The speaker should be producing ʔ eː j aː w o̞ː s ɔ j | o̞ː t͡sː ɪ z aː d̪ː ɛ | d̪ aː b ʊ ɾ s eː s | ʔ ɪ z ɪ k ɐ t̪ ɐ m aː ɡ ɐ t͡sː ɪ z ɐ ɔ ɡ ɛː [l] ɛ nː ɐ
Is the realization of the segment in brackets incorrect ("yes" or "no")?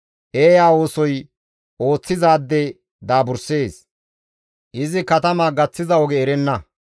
yes